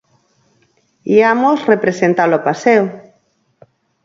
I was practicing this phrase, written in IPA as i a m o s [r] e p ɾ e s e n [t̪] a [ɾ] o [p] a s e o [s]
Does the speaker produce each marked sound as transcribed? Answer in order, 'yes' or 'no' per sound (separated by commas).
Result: yes, yes, no, yes, no